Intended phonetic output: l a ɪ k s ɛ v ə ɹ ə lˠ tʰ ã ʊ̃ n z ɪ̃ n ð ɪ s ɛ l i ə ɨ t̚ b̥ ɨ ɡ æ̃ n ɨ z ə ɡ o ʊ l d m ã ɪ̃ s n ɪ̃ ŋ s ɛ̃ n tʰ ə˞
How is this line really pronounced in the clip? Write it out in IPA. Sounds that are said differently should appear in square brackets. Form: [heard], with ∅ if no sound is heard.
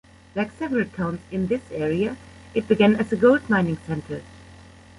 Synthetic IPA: l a ɪ k s ɛ v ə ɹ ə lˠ tʰ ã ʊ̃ n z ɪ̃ n ð ɪ s ɛ [ɹ] i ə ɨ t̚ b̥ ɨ ɡ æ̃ n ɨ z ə ɡ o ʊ l d m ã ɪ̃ [∅] n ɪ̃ ŋ s ɛ̃ n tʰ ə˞